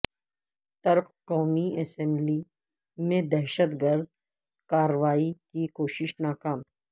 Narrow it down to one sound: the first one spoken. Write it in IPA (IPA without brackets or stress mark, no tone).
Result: t̪